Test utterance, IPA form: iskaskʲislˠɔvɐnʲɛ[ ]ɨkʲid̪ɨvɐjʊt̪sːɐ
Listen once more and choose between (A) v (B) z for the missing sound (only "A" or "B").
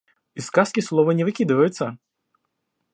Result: A